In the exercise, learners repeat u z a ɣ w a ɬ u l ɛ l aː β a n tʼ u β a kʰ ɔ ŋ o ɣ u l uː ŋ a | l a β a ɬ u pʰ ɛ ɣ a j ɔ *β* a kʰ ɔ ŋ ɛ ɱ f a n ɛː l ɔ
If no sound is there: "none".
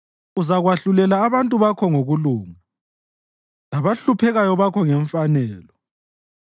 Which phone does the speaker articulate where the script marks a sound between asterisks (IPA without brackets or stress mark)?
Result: β